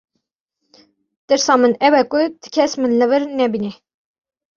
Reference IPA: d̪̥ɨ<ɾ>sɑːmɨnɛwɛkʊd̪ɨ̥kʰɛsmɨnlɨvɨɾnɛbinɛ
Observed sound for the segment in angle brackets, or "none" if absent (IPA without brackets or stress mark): ɾ